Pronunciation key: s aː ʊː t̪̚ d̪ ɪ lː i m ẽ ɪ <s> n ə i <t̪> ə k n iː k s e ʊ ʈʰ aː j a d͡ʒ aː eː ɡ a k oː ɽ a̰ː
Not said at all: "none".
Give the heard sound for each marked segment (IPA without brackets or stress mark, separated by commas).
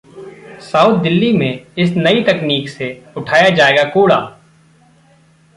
s, t̪